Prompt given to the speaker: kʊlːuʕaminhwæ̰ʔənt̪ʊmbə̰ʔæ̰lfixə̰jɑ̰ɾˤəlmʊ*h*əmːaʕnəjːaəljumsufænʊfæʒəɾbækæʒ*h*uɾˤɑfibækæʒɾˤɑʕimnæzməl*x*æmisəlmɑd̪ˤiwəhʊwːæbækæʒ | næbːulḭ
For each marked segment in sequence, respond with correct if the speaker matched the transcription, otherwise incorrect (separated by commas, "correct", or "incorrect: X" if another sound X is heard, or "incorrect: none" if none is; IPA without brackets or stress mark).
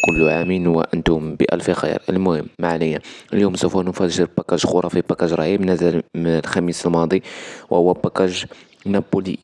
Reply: correct, incorrect: x, correct